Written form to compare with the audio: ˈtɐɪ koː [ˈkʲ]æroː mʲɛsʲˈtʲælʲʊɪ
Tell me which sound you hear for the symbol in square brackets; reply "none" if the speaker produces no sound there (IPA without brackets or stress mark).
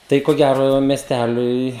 ɡʲ